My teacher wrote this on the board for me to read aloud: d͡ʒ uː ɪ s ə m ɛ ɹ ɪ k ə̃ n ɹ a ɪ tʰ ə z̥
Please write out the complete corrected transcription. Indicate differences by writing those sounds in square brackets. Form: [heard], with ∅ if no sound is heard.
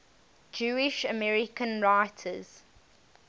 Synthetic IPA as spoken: d͡ʒ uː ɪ [ʃ] ə m ɛ ɹ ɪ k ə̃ n ɹ a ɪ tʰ ə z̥